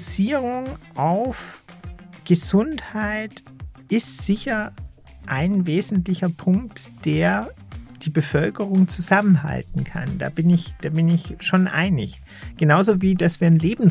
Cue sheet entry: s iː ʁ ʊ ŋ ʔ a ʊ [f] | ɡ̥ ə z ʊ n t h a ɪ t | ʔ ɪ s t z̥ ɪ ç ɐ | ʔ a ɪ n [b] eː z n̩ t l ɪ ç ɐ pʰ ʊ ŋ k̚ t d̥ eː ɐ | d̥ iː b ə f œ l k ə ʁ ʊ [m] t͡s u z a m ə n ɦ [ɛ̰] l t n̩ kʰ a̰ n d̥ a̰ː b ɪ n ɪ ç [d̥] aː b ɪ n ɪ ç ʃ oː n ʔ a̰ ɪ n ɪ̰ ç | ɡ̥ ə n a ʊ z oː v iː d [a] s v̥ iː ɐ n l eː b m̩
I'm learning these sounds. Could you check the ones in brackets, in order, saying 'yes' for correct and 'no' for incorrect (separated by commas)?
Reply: yes, no, no, no, yes, yes